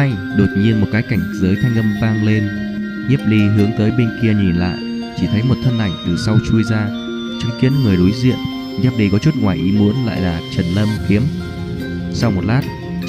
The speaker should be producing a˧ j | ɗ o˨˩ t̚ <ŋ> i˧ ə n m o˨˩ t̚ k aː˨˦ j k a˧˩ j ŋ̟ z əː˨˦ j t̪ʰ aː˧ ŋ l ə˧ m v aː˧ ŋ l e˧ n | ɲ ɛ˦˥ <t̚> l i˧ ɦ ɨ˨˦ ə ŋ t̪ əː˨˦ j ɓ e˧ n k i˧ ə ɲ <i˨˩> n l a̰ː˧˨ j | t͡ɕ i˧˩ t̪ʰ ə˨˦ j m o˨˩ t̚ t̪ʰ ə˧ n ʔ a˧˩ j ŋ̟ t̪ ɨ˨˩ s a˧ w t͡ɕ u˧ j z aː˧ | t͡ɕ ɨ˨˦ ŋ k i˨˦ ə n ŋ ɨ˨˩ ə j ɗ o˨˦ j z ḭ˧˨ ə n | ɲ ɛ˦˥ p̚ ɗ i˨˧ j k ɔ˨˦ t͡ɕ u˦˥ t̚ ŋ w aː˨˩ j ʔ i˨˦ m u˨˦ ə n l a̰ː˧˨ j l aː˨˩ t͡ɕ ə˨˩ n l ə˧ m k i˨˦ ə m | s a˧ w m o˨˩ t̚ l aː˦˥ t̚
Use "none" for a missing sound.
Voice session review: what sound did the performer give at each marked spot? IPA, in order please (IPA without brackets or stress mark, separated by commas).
ɲ, p̚, i˨˩